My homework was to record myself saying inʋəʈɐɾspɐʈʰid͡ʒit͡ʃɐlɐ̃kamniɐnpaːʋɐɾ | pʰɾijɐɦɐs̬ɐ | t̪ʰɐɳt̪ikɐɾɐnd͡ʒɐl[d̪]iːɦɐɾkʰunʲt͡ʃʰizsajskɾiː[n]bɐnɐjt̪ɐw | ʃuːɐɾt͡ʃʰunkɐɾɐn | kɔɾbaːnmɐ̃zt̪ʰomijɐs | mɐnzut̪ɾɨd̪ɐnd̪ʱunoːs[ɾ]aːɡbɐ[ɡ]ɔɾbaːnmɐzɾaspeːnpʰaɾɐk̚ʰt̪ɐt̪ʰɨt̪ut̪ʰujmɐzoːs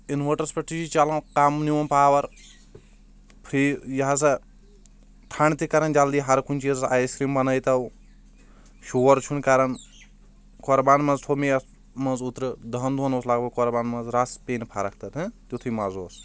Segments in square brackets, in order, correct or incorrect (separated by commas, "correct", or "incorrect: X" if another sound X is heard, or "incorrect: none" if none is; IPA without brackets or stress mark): correct, incorrect: m, incorrect: l, incorrect: k